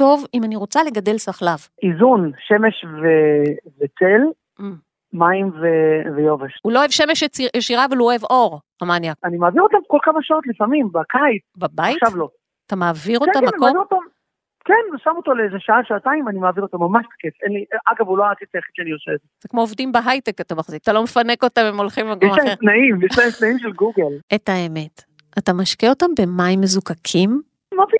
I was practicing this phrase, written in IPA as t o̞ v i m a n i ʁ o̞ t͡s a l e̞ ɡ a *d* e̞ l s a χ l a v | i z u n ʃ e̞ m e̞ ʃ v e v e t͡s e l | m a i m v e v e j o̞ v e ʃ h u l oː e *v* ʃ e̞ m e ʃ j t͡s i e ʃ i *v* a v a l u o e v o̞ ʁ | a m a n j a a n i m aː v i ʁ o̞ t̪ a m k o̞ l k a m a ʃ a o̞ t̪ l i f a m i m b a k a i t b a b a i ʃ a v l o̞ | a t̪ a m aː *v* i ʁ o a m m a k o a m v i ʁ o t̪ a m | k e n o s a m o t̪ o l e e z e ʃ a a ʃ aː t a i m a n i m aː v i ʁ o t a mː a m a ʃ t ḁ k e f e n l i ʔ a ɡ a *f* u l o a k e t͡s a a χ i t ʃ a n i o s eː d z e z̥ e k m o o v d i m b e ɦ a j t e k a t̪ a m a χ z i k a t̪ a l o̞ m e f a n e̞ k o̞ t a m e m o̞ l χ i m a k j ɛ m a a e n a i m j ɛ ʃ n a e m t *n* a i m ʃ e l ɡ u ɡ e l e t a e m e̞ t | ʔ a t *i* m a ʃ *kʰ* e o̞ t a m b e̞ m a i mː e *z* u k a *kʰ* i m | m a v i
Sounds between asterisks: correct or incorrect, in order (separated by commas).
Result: correct, correct, incorrect, correct, incorrect, correct, incorrect, incorrect, correct, correct